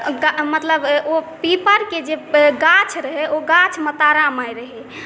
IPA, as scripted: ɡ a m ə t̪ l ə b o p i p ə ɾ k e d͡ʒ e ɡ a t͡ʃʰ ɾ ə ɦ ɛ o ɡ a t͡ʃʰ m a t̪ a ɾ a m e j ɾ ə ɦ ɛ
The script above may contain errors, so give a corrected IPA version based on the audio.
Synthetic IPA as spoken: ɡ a m ə t̪ l ə b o p i p ə ɾ k e d͡ʒ e ɡ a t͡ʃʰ ɾ ə ɦ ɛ o ɡ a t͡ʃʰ m ə t̪ a ɾ a m a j ɾ ə ɦ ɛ